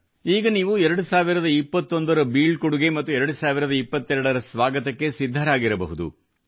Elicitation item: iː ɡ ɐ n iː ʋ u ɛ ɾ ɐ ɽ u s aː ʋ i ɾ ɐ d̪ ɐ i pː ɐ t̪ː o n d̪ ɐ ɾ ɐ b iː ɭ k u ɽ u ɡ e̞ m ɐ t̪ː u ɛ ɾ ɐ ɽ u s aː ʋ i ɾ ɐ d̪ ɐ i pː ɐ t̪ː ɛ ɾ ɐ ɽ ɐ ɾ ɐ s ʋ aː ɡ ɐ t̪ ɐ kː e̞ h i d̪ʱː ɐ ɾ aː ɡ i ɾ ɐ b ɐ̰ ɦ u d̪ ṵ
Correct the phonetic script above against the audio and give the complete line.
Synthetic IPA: iː ɡ ɐ n iː ʋ u ɛ ɾ ɐ ɽ u s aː ʋ i ɾ ɐ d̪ ɐ i pː ɐ t̪ː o n d̪ ɐ ɾ ɐ b iː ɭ k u ɽ u ɡ e̞ m ɐ t̪ː u ɛ ɾ ɐ ɽ u s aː ʋ i ɾ ɐ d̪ ɐ i pː ɐ t̪ː ɛ ɾ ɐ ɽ ɐ ɾ ɐ s ʋ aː ɡ ɐ t̪ ɐ kː e̞ s i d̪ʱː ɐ ɾ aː ɡ i ɾ ɐ b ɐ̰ ɦ u d̪ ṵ